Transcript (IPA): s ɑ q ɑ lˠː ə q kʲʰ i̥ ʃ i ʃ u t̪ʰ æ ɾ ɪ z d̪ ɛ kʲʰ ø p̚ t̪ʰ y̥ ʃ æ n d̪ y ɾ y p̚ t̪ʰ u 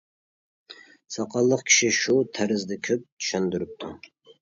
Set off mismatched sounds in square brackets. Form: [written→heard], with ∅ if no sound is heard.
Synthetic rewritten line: s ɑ q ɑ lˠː ə q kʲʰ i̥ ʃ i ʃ u t̪ʰ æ ɾ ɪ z d̪ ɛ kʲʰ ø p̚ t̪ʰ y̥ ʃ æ n d̪ y ɾ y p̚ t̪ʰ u